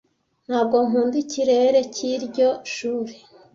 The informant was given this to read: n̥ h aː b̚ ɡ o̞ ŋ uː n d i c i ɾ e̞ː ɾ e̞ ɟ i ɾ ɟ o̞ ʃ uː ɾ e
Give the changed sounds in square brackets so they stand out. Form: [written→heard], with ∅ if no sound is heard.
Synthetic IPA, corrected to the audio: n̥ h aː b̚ ɡ o̞ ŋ uː n d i c i ɾ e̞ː ɾ e̞ [ɟ→c] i ɾ ɟ o̞ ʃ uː ɾ e